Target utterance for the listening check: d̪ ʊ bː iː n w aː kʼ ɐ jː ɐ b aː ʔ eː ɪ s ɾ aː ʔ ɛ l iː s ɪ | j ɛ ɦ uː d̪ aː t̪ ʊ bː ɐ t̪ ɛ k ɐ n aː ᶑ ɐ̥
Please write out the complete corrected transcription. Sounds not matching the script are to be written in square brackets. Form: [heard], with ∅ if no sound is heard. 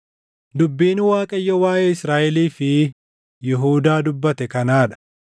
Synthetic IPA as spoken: d̪ ʊ bː iː n w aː kʼ ɐ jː ɐ [w] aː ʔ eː ɪ s ɾ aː ʔ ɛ l iː [f] ɪ | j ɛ ɦ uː d̪ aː [d̪] ʊ bː ɐ t̪ ɛ k ɐ n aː ᶑ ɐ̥

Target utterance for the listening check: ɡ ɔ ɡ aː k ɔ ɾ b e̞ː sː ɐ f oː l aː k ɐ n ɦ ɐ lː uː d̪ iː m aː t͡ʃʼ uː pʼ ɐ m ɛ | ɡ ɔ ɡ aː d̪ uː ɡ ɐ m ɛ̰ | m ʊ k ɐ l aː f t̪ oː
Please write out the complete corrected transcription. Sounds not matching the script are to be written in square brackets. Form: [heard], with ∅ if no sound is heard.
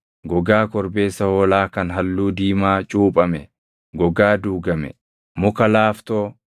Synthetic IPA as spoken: ɡ ɔ ɡ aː k ɔ ɾ b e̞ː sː ɐ [h] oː l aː k ɐ n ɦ ɐ lː uː d̪ iː m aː t͡ʃʼ uː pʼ ɐ m ɛ | ɡ ɔ ɡ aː d̪ uː ɡ ɐ m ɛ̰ | m ʊ k ɐ l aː f t̪ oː

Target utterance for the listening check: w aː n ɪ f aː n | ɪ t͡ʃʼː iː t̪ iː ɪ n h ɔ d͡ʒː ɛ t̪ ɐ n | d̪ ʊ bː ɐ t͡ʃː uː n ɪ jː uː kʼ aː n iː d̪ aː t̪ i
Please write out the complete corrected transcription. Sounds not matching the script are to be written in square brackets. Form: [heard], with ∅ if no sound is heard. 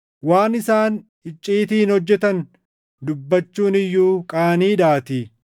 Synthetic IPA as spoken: w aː n ɪ [s] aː n | ɪ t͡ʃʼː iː t̪ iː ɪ n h ɔ d͡ʒː ɛ t̪ ɐ n | d̪ ʊ bː ɐ t͡ʃː uː n ɪ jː uː kʼ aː n iː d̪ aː t̪ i

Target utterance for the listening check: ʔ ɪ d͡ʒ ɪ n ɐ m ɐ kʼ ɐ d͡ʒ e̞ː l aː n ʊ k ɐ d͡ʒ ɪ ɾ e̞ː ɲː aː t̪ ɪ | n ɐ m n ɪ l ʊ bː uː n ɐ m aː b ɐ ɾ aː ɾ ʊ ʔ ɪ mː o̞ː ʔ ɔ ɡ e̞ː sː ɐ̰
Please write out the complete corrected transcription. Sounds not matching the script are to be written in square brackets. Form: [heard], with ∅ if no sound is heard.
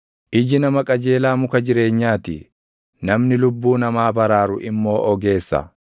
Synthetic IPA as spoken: ʔ ɪ d͡ʒ ɪ n ɐ m ɐ kʼ ɐ d͡ʒ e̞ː l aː [m] ʊ k ɐ d͡ʒ ɪ ɾ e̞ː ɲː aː t̪ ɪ | n ɐ m n ɪ l ʊ bː uː n ɐ m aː b ɐ ɾ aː ɾ ʊ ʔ ɪ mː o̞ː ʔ ɔ ɡ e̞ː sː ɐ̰

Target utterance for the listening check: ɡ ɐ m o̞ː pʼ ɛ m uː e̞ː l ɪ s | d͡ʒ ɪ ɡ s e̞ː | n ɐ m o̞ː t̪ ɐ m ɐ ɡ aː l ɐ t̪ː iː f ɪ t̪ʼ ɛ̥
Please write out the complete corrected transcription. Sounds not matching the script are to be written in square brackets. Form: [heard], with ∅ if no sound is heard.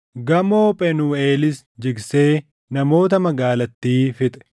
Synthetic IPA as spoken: ɡ ɐ m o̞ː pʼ ɛ [n] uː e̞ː l ɪ s | d͡ʒ ɪ ɡ s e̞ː | n ɐ m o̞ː t̪ ɐ m ɐ ɡ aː l ɐ t̪ː iː f ɪ t̪ʼ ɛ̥

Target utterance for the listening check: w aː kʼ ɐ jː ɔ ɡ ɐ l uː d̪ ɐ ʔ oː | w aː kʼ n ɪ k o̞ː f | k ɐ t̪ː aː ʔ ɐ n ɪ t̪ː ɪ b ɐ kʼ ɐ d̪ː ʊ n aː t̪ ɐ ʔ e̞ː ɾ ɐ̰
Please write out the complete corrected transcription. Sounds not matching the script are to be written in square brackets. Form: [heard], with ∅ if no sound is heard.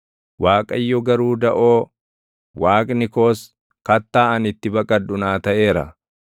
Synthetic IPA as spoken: w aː kʼ ɐ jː ɔ ɡ ɐ [ɾ] uː d̪ ɐ ʔ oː | w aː kʼ n ɪ k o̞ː [s] | k ɐ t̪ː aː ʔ ɐ n ɪ t̪ː ɪ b ɐ kʼ ɐ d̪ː ʊ n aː t̪ ɐ ʔ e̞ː ɾ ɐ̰

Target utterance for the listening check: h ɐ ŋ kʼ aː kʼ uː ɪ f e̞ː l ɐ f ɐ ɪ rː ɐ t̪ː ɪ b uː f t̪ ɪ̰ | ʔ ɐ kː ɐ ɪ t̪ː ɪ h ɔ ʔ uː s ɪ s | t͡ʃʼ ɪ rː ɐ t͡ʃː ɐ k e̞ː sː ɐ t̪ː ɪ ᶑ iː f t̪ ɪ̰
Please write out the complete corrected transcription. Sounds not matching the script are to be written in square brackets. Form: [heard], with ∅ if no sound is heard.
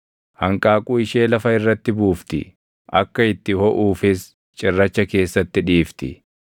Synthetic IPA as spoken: h ɐ ŋ kʼ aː kʼ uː ɪ [ʃ] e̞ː l ɐ f ɐ ɪ rː ɐ t̪ː ɪ b uː f t̪ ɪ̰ | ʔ ɐ kː ɐ ɪ t̪ː ɪ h ɔ ʔ uː [f] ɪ s | t͡ʃʼ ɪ rː ɐ t͡ʃː ɐ k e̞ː sː ɐ t̪ː ɪ ᶑ iː f t̪ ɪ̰

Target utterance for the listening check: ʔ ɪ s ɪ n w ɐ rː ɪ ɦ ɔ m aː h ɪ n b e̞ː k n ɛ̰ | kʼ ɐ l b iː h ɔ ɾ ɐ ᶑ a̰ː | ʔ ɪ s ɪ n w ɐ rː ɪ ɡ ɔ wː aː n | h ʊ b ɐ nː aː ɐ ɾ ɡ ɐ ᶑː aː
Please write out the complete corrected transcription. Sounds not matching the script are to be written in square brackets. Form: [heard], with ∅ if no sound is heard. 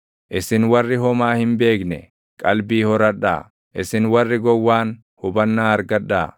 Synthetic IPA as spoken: ʔ ɪ s ɪ n w ɐ rː ɪ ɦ ɔ m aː h ɪ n b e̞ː k n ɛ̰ | kʼ ɐ l b iː h ɔ ɾ ɐ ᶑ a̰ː | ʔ ɪ s ɪ n w ɐ rː ɪ ɡ ɔ wː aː n | h ʊ b ɐ nː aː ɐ ɾ ɡ ɐ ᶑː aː

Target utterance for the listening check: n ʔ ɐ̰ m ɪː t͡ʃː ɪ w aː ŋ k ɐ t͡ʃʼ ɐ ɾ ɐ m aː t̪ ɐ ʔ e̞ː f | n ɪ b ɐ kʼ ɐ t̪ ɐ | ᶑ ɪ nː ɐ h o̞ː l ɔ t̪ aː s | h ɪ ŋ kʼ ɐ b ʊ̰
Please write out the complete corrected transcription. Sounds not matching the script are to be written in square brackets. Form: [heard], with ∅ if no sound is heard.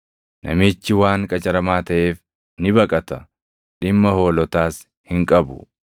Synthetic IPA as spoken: n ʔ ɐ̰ m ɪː t͡ʃː ɪ w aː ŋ [kʼ] ɐ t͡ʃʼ ɐ ɾ ɐ m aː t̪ ɐ ʔ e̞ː f | n ɪ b ɐ kʼ ɐ t̪ ɐ | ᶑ ɪ [mː] ɐ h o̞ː l ɔ t̪ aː s | h ɪ ŋ kʼ ɐ b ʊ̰

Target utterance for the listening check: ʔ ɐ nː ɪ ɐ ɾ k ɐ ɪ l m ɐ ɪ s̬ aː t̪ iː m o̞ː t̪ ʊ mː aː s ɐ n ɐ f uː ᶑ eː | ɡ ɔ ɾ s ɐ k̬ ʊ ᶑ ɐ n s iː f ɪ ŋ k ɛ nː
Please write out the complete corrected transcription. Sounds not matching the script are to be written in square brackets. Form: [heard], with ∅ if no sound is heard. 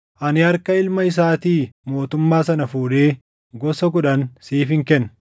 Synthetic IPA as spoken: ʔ ɐ [n] ɪ ɐ ɾ k ɐ ɪ l m ɐ ɪ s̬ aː t̪ iː m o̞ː t̪ ʊ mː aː s ɐ n ɐ f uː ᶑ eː | ɡ ɔ [∅] s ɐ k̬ ʊ ᶑ ɐ n s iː f ɪ ŋ k ɛ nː

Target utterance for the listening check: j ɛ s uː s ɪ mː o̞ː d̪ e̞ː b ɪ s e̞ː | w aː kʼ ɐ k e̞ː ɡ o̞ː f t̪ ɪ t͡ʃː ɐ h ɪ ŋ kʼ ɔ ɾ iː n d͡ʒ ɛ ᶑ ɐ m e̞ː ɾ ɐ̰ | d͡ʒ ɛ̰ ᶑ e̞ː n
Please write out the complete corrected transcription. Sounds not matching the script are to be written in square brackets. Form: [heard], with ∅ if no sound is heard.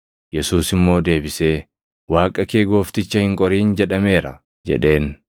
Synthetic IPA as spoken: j ɛ s uː s ɪ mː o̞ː d̪ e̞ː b ɪ s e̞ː | w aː kʼ ɐ k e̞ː ɡ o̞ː f t̪ ɪ t͡ʃː ɐ h ɪ ŋ kʼ ɔ ɾ iː n d͡ʒ ɛ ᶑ ɐ m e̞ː ɾ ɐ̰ | d͡ʒ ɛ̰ ᶑ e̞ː n

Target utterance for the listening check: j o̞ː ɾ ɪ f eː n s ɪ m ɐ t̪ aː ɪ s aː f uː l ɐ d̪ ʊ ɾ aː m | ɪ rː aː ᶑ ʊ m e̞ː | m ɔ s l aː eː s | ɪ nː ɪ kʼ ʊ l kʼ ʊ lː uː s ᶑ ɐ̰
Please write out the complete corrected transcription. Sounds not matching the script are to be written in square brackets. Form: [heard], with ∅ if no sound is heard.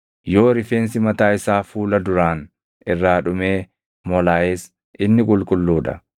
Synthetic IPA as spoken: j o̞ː ɾ ɪ f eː n s ɪ m ɐ t̪ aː ɪ s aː f uː l ɐ d̪ ʊ ɾ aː [n] | ɪ rː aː ᶑ ʊ m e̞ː | m ɔ [∅] l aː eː s | ɪ nː ɪ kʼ ʊ l kʼ ʊ lː uː [∅] ᶑ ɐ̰

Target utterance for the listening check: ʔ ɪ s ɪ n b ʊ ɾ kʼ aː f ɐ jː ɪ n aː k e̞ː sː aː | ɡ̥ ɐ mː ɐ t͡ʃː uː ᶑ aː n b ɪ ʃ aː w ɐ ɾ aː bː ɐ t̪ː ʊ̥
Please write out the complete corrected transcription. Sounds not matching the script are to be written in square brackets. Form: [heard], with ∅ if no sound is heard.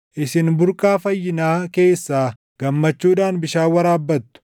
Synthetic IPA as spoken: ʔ ɪ s ɪ n b ʊ ɾ kʼ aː f ɐ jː ɪ n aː k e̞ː sː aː | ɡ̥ ɐ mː ɐ t͡ʃː uː ᶑ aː n b ɪ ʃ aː w ɐ ɾ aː bː ɐ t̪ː ʊ̥

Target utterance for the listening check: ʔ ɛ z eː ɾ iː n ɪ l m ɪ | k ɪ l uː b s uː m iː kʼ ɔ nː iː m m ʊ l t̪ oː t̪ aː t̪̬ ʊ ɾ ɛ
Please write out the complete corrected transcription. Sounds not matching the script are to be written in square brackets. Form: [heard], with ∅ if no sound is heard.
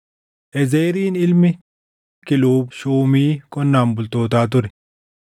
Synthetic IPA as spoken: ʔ ɛ z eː ɾ iː n ɪ l m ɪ | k ɪ l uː b [ʃ] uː m iː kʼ ɔ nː [aː] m [b] ʊ l t̪ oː t̪ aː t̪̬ ʊ ɾ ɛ

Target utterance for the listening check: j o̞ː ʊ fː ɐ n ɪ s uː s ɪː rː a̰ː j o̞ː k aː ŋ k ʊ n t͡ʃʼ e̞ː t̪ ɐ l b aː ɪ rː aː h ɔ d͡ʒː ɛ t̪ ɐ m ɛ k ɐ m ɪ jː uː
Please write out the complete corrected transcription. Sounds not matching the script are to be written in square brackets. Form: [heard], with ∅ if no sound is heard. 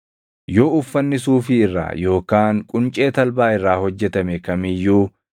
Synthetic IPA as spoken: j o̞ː ʊ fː ɐ [nː] ɪ s uː [f] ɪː rː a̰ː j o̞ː k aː ŋ [kʼ] ʊ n t͡ʃʼ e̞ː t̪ ɐ l b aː ɪ rː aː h ɔ d͡ʒː ɛ t̪ ɐ m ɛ k ɐ m ɪ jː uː

